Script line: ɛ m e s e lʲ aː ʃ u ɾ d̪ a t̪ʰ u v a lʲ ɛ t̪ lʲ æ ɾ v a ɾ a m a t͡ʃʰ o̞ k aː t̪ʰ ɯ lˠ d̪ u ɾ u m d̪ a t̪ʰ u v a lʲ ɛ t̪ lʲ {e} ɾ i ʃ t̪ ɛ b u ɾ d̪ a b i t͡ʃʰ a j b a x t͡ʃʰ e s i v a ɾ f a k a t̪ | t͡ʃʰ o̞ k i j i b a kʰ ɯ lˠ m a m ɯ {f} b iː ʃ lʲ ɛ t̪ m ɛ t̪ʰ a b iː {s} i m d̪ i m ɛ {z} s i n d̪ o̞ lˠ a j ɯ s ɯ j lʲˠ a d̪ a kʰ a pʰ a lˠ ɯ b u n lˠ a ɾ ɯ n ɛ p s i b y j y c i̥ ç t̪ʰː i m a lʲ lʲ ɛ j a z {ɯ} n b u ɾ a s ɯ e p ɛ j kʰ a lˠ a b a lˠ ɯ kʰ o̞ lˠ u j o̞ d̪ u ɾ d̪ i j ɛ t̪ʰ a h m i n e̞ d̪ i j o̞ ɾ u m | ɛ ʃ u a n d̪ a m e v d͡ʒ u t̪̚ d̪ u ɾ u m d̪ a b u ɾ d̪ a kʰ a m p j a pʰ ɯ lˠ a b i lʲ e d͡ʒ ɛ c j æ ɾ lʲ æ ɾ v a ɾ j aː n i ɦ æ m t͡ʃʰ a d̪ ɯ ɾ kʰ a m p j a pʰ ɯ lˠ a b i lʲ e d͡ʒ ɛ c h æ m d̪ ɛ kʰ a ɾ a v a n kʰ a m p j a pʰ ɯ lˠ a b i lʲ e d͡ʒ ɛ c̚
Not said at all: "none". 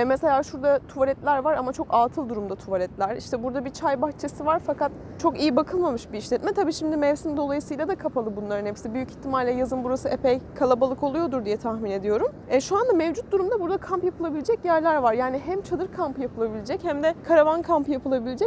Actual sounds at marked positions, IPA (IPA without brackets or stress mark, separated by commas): æ, ʃ, ʃ, v, ɯ